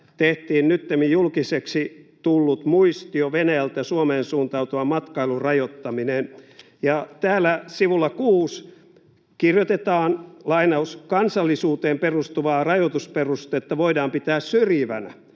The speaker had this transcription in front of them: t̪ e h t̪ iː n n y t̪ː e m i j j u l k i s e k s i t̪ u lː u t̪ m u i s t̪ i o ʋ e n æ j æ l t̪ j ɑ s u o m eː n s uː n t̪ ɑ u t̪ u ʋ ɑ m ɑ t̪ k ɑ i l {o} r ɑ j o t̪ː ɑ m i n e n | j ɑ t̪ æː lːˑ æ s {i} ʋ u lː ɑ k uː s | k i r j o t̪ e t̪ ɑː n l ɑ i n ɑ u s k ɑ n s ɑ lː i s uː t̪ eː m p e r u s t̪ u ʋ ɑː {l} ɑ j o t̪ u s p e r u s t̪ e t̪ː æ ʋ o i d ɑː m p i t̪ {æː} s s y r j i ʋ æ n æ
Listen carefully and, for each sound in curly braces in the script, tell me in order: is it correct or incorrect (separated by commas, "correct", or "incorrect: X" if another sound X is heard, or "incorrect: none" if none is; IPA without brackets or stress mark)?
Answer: incorrect: u, correct, incorrect: r, correct